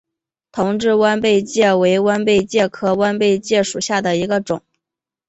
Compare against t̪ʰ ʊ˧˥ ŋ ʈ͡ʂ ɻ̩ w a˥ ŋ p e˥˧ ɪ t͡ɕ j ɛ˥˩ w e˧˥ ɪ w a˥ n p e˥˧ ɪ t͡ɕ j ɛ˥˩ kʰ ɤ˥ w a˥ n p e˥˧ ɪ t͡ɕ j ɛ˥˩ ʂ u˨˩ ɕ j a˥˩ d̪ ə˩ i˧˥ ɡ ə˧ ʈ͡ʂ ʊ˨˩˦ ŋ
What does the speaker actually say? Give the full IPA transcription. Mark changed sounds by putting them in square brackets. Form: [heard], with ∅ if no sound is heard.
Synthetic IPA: t̪ʰ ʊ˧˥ ŋ ʈ͡ʂ ɻ̩ w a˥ [n] p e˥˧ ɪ t͡ɕ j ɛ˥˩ w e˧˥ ɪ w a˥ n p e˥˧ ɪ t͡ɕ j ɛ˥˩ kʰ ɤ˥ w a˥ n p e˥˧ ɪ t͡ɕ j ɛ˥˩ ʂ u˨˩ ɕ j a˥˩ d̪ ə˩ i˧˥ ɡ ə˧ ʈ͡ʂ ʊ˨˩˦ ŋ